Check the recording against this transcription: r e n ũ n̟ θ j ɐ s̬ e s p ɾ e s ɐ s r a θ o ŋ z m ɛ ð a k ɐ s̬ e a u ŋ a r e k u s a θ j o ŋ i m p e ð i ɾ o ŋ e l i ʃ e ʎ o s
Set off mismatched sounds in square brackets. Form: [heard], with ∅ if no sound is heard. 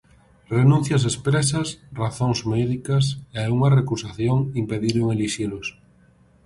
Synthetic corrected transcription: r e n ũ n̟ θ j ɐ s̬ e s p ɾ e s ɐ s r a θ o ŋ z m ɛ ð [i] k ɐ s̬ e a u ŋ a r e k u s a θ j o ŋ i m p e ð i ɾ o ŋ e l i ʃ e [l] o s